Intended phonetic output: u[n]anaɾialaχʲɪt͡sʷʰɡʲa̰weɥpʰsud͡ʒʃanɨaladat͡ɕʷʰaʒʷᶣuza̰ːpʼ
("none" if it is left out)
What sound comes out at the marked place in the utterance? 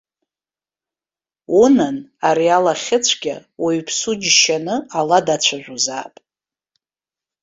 n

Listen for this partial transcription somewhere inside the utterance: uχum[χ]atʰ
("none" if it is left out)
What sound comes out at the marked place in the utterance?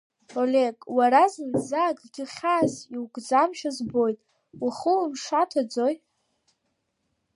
ʂ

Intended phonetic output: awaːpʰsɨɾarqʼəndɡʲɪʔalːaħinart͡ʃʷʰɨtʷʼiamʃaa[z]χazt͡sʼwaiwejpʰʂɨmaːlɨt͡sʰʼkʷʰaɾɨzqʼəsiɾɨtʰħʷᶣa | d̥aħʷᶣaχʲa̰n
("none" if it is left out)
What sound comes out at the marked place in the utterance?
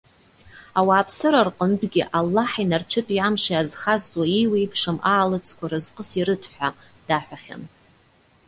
z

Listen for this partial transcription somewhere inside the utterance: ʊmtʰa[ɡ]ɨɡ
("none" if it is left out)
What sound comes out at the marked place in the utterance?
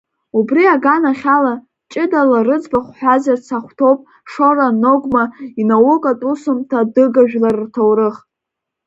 d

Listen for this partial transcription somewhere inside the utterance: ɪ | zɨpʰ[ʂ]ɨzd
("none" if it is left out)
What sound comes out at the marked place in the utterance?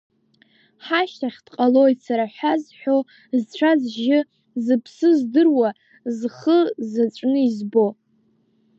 s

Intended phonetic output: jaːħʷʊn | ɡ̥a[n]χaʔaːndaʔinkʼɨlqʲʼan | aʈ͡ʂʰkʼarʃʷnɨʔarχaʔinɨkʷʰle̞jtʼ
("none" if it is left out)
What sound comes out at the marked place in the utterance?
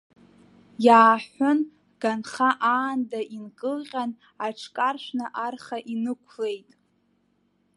n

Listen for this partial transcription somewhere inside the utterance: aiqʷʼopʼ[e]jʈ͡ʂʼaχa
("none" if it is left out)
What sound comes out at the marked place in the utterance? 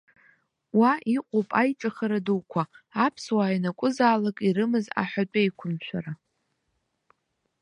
a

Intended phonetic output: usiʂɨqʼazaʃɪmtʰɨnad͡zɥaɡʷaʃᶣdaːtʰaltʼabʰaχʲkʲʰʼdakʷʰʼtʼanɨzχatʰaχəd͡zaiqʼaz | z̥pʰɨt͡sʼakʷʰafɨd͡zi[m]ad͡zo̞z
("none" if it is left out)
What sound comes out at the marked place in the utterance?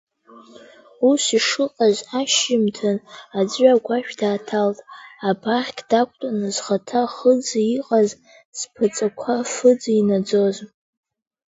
n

